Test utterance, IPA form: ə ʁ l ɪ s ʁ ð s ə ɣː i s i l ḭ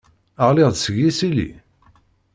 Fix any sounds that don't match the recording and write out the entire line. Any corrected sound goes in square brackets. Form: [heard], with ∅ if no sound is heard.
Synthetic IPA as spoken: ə ʁ l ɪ [∅] ʁ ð s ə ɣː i s i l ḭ